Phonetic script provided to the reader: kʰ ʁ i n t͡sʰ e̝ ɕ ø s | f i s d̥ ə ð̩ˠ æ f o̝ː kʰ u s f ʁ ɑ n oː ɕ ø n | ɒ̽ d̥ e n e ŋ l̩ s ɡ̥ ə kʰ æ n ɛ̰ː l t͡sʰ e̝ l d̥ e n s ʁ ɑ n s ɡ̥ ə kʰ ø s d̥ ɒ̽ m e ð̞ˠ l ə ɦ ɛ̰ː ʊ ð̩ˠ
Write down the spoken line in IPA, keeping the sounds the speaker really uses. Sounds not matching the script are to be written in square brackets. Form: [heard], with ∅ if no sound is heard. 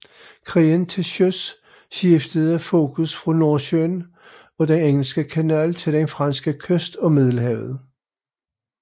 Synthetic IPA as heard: kʰ ʁ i n t͡sʰ e̝ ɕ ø s | [ɕ] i [f] d̥ ə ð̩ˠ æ f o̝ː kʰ u s f ʁ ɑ n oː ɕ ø n | ɒ̽ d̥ e n e ŋ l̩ s ɡ̥ ə kʰ æ n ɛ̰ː l t͡sʰ e̝ l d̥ e n [f] ʁ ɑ n s ɡ̥ ə kʰ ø s d̥ ɒ̽ m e ð̞ˠ l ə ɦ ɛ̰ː ʊ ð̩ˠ

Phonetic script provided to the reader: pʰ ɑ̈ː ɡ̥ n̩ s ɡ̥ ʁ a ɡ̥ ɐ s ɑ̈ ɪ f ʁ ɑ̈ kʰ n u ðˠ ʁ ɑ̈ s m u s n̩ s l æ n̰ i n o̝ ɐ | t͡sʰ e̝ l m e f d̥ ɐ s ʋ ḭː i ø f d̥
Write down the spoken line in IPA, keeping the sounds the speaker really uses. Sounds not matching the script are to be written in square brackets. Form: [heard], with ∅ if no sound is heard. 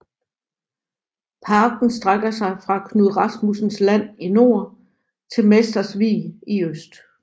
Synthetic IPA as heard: pʰ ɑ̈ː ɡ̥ n̩ s [d̥] ʁ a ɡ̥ ɐ s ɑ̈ ɪ f ʁ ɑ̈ kʰ n u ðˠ ʁ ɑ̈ s m u s n̩ s l æ n̰ i n o̝ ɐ | t͡sʰ e̝ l m e [s] d̥ ɐ s ʋ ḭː i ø [s] d̥

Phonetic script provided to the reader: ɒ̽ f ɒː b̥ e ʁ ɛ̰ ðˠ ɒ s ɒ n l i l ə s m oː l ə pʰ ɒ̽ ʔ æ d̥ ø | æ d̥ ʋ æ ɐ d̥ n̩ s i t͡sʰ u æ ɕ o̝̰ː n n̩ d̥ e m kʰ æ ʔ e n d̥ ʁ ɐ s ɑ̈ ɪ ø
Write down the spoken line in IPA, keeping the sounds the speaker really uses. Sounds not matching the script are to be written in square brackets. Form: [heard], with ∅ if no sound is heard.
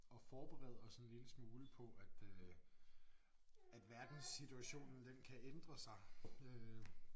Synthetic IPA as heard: ɒ̽ f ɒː b̥ e ʁ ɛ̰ ðˠ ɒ s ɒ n l i l ə s m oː l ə pʰ ɒ̽ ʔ æ d̥ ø | æ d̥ ʋ æ ɐ d̥ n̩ s i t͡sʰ u æ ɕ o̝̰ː n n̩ d̥ e [n] kʰ æ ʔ e n d̥ ʁ ɐ s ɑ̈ ɪ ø

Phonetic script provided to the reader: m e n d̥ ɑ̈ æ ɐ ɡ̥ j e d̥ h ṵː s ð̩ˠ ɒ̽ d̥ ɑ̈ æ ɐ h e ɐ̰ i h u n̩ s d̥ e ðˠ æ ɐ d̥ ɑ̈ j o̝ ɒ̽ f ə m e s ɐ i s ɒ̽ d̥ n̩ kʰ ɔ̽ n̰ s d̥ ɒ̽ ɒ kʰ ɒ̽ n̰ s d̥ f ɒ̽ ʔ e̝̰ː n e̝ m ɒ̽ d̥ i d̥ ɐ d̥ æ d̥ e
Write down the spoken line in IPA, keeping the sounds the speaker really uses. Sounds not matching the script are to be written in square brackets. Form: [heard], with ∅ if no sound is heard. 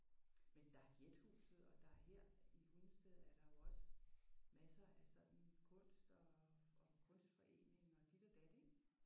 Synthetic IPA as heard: m e n d̥ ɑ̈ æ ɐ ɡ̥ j e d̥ h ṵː s ð̩ˠ ɒ̽ d̥ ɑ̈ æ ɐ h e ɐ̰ i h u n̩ s d̥ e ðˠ æ ɐ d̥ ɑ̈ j o̝ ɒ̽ [s] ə m [æ] s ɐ [æ] s ɒ̽ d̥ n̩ kʰ ɔ̽ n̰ s d̥ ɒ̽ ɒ kʰ [ɔ̽] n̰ s d̥ f ɒ̽ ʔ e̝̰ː n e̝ [ŋ] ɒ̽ d̥ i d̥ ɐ d̥ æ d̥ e

